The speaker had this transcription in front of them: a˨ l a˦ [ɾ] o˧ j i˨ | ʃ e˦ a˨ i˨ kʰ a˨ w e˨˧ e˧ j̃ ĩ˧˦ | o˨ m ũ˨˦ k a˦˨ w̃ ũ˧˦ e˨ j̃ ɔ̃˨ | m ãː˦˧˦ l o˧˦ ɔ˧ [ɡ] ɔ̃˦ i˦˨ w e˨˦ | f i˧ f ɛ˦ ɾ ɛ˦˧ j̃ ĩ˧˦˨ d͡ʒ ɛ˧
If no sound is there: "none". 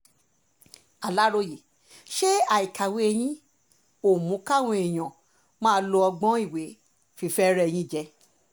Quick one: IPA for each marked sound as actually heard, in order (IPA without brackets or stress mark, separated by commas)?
ɾ, ɡ͡b